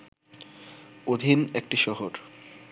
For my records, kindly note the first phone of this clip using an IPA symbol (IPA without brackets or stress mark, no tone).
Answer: o